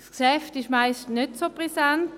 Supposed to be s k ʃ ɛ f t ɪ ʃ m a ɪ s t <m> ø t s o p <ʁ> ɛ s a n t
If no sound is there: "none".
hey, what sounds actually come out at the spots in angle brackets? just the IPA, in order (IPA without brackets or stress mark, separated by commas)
n, ʁ